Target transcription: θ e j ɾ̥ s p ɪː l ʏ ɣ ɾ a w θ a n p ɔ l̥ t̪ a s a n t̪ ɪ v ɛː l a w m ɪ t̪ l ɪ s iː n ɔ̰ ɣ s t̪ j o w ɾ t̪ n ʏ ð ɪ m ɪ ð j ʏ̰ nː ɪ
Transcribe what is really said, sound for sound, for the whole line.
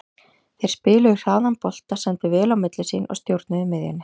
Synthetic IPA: θ e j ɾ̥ s p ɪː l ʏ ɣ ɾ a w ð a n p ɔ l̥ t̪ a s ɛ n t̪ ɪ v ɛː l a w m ɪ t̪ l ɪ s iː n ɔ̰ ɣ s t̪ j o w ɾ t̪ n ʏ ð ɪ m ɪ ð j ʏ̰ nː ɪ